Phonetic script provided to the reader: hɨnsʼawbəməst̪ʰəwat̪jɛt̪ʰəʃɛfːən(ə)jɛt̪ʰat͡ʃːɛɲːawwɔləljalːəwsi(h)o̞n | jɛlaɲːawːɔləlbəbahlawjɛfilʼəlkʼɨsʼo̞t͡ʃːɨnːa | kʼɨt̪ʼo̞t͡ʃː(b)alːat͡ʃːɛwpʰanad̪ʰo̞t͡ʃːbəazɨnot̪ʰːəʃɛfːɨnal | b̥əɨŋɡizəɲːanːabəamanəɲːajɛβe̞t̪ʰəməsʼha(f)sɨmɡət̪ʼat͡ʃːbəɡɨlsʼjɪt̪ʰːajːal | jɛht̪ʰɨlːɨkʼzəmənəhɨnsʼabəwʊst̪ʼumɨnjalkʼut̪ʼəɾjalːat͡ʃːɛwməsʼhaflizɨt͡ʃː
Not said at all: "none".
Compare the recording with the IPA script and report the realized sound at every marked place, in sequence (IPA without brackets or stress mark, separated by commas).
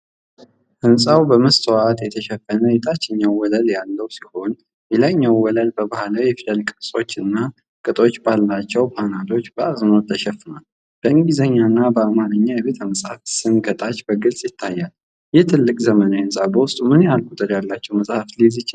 ə, h, b, f